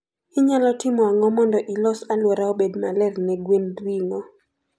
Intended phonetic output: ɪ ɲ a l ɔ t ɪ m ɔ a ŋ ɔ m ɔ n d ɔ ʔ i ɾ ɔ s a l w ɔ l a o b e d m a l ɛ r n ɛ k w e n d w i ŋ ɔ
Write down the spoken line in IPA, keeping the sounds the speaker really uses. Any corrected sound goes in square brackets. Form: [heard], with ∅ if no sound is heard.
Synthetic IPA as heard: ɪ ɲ a l ɔ t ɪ m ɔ a ŋ ɔ m ɔ n d ɔ ʔ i [l] ɔ s a l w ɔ [ɾ] a o b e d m a l ɛ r n ɛ [ɡ] w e n d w i ŋ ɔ